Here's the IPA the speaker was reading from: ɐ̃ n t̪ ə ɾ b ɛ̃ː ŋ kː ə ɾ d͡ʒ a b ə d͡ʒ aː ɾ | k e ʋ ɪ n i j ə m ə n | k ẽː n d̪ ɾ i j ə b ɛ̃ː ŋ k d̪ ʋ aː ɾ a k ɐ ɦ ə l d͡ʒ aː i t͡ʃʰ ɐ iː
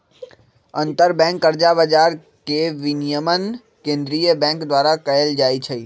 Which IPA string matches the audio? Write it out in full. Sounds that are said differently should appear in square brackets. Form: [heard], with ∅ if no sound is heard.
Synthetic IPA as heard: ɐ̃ n t̪ ə ɾ b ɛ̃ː ŋ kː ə ɾ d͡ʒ a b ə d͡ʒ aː ɾ | k e ʋ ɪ n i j ə m ə n | k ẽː n d̪ ɾ i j ə b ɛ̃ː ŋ k d̪ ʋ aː ɾ a k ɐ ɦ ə l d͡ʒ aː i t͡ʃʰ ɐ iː